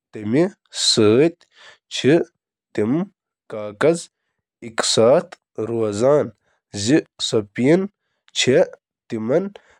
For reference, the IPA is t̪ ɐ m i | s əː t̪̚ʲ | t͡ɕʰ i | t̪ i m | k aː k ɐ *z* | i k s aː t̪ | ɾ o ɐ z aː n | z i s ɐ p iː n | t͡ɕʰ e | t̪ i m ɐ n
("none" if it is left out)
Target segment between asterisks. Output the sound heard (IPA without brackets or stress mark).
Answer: z